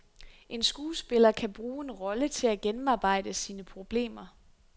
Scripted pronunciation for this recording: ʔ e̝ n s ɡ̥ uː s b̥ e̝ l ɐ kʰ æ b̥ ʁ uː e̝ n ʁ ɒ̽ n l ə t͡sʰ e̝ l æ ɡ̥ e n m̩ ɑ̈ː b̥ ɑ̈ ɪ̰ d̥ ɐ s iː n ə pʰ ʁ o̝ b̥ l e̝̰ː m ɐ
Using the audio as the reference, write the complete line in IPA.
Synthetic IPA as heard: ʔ e̝ n s ɡ̥ uː s b̥ e̝ l ɐ kʰ æ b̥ ʁ uː e̝ n ʁ ɒ̽ l ə t͡sʰ e̝ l æ ɡ̥ e n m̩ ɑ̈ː b̥ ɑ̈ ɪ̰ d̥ ə s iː n ə pʰ ʁ o̝ b̥ l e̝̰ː m ɐ